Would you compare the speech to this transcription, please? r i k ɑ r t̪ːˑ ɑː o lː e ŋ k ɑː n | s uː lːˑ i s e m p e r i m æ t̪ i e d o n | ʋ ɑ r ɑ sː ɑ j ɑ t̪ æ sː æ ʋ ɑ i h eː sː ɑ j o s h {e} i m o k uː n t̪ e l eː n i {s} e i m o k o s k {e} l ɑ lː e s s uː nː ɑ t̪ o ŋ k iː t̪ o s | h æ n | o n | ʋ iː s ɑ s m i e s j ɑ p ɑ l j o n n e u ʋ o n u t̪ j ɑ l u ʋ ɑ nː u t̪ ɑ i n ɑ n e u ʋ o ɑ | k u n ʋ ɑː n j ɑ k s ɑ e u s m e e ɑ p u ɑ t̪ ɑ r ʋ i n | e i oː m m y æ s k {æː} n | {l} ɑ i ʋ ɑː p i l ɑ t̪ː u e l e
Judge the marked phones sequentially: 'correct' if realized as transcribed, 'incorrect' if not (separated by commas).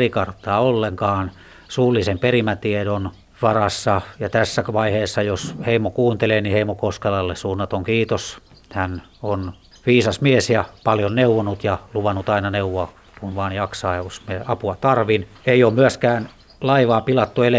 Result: correct, incorrect, correct, correct, correct